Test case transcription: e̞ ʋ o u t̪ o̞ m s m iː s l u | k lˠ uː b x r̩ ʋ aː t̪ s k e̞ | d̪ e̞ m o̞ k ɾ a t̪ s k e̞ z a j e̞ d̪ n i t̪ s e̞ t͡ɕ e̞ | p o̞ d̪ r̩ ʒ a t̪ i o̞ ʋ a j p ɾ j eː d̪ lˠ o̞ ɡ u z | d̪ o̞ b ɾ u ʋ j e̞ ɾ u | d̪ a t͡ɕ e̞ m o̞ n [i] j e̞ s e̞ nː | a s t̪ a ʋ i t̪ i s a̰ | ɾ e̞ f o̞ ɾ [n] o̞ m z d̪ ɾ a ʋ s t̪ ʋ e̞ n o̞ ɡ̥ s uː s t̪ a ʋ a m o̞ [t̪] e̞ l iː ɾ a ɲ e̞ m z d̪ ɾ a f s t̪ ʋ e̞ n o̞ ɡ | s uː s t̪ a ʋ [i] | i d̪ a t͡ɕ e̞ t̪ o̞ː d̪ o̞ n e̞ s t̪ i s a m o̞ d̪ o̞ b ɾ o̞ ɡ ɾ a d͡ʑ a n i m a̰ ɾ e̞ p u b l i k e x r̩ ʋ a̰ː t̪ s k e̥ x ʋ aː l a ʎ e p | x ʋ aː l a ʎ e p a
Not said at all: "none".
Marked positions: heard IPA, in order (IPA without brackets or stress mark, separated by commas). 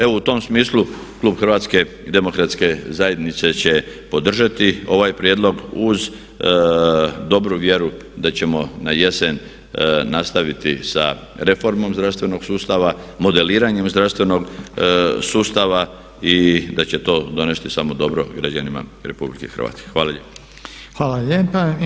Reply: a, m, d̪, a